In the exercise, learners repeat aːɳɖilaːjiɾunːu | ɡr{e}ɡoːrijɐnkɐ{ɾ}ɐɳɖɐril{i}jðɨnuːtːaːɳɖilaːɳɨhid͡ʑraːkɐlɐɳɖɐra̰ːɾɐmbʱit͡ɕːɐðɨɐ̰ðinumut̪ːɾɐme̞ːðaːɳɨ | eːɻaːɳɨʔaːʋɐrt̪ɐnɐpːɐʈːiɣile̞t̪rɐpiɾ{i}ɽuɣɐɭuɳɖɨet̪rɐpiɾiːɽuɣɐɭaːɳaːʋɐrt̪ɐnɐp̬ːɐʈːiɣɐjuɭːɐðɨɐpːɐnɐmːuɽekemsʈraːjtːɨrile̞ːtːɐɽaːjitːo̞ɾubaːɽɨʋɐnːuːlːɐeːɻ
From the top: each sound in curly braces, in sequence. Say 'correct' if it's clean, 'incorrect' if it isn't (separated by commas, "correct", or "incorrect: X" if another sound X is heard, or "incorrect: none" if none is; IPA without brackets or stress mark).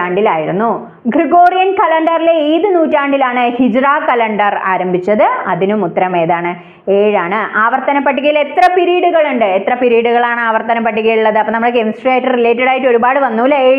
incorrect: i, incorrect: l, incorrect: e, incorrect: iː